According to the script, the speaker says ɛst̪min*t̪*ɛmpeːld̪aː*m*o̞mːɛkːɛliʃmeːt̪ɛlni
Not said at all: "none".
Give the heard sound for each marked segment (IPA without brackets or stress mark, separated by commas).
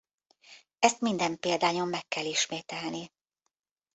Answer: d̪, ɲ